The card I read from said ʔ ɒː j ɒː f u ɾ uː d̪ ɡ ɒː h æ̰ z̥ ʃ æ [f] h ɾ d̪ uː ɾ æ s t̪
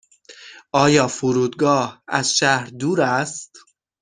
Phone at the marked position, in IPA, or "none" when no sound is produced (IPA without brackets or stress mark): none